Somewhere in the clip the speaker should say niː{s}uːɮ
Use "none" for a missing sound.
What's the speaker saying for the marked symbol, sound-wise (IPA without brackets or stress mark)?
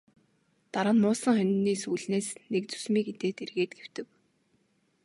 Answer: s